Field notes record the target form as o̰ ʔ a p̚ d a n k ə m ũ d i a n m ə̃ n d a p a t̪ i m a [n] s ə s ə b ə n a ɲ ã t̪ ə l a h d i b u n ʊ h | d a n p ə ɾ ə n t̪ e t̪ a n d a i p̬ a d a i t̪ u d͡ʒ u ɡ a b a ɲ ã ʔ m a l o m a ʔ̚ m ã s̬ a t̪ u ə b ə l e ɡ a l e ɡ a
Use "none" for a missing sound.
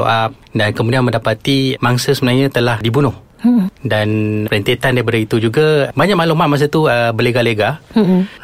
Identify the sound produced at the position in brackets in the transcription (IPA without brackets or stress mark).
ŋ